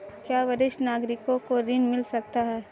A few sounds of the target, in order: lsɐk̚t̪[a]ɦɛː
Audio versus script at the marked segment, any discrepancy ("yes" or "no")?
no